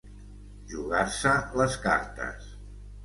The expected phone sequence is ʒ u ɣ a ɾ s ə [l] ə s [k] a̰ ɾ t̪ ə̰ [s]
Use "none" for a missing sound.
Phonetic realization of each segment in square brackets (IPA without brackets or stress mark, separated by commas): l, k, s